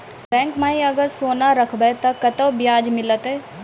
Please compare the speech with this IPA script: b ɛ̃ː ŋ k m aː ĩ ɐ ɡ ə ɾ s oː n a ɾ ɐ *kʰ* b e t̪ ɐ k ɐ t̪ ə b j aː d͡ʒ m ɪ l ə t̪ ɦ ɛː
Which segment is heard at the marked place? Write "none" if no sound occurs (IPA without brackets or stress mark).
kʰ